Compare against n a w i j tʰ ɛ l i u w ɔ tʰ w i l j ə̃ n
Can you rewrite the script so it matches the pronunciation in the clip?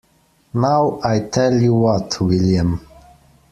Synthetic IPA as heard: n a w a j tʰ ɛ l j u w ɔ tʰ w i l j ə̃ m